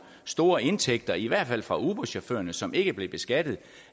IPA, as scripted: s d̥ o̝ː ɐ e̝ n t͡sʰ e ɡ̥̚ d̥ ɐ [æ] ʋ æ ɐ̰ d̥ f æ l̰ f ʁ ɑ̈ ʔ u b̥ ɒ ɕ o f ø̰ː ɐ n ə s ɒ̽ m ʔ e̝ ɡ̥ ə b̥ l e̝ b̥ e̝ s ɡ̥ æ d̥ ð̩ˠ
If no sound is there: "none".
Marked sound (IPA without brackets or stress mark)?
i